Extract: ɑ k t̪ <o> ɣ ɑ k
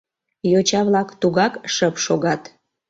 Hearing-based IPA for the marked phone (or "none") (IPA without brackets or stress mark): u